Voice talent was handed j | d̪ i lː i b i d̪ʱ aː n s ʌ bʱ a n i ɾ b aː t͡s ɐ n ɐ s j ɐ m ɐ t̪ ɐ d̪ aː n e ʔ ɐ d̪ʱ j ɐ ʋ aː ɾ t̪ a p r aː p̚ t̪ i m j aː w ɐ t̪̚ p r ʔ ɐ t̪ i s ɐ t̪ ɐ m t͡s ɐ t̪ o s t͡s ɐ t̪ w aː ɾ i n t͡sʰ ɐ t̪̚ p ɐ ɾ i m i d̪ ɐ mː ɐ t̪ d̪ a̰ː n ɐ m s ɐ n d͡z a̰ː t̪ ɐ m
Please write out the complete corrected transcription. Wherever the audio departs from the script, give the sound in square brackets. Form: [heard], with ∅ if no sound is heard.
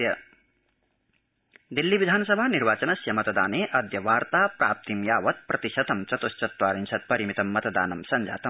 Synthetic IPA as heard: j | d̪ i lː i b i d̪ʱ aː n s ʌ bʱ a n i ɾ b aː t͡s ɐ n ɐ s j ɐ m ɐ t̪ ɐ d̪ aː n e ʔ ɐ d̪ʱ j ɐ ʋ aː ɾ t̪ a p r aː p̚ t̪ i m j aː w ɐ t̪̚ p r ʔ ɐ t̪ i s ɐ t̪ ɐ m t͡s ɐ t̪ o s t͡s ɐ t̪ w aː ɾ i n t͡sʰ ɐ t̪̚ p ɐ ɾ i m i [t̪] ɐ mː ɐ t̪ d̪ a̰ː n ɐ m s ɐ n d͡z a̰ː t̪ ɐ m